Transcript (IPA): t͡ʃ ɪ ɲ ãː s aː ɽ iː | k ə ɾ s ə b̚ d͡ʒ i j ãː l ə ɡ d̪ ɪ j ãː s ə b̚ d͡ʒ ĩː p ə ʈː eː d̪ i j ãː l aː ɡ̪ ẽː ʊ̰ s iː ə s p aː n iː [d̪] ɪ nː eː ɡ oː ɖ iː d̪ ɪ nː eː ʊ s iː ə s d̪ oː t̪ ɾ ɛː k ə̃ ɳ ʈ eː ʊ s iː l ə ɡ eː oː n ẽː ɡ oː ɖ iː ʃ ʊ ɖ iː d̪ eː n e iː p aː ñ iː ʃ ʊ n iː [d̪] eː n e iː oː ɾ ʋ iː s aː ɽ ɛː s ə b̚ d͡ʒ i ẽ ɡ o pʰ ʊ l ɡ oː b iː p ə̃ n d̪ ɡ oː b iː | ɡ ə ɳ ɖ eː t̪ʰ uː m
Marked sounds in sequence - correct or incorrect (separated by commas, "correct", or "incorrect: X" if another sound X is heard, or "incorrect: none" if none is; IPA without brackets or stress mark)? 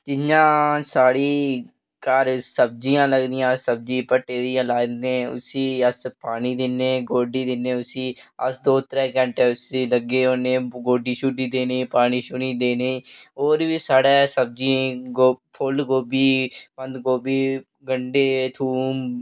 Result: correct, correct